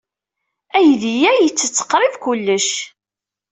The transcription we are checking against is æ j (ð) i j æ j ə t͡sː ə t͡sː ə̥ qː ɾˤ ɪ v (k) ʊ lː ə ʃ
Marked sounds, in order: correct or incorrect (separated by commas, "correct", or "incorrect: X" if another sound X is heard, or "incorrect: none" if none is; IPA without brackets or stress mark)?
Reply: correct, correct